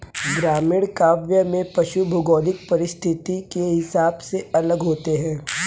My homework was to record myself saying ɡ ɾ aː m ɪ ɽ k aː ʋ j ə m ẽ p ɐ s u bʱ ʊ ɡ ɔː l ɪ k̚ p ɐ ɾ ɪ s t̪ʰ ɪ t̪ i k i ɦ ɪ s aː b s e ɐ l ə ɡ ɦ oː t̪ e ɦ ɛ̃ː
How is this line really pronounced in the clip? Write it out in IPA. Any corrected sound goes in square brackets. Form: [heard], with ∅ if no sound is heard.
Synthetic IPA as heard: ɡ ɾ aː m ɪ ɽ k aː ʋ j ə m ẽ p ɐ [ʃ] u bʱ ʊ ɡ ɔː l ɪ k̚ p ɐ ɾ ɪ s t̪ʰ ɪ t̪ i k [e] ɦ ɪ s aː b s e ɐ l ə ɡ ɦ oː t̪ e ɦ ɛ̃ː